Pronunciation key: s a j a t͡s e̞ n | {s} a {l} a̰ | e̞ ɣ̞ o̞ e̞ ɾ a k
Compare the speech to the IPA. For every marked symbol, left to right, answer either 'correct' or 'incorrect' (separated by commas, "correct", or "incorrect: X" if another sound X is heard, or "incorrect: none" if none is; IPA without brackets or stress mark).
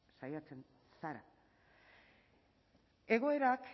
correct, incorrect: ɾ